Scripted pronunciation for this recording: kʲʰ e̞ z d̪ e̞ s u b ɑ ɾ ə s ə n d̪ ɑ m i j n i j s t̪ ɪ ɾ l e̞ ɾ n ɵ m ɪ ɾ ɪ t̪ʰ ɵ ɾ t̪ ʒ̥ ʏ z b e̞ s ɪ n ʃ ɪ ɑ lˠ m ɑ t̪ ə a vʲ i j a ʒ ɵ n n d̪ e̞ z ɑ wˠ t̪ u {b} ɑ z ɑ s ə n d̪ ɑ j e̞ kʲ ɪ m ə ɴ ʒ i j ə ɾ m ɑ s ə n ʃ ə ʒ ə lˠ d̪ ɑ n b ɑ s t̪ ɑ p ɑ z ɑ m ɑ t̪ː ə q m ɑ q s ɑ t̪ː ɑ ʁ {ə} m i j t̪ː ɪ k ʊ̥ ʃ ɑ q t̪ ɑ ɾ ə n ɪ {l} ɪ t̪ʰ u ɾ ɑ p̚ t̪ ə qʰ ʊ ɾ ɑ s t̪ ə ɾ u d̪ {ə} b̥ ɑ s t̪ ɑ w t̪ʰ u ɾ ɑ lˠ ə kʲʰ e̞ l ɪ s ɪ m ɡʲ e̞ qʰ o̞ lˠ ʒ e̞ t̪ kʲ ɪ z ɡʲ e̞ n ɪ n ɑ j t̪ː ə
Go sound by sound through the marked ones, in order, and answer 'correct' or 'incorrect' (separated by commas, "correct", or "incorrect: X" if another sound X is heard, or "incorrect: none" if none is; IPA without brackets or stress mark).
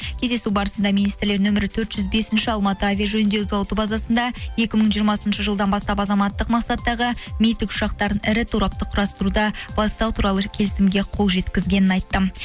correct, correct, incorrect: ɾ, incorrect: ɑ